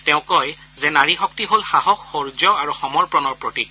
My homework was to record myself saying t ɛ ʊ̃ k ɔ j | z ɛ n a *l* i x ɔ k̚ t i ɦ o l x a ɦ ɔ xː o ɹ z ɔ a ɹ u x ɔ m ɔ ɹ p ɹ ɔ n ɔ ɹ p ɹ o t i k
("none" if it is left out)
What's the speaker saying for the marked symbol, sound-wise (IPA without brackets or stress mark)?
ɹ